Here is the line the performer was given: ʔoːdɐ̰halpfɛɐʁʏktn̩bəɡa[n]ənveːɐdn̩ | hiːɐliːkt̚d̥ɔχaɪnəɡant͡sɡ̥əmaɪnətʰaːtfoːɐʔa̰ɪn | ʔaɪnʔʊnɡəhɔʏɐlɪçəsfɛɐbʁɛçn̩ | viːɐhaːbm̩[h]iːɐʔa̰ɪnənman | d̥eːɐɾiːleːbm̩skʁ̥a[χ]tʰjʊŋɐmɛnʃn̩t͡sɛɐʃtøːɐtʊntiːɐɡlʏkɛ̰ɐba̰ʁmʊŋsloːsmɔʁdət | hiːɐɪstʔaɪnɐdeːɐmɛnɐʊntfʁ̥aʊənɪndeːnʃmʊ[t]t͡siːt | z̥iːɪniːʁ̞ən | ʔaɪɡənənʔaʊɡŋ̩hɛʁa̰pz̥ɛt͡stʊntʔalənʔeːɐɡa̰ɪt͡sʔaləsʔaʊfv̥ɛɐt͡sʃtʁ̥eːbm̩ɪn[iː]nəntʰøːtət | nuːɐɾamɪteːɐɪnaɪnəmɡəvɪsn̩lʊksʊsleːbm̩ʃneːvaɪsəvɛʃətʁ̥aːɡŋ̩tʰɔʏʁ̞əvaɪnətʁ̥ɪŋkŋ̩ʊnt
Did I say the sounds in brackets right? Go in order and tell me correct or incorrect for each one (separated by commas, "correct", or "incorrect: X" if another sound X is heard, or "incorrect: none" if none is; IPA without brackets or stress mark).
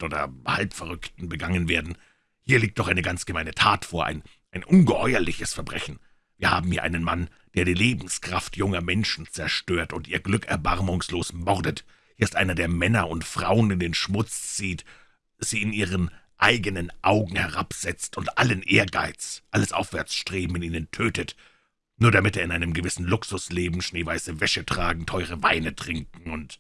incorrect: ŋ, correct, incorrect: f, incorrect: t͡s, correct